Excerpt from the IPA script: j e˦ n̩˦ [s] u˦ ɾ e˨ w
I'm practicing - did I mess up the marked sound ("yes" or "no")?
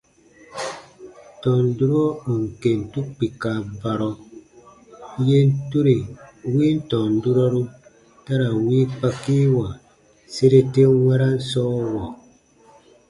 yes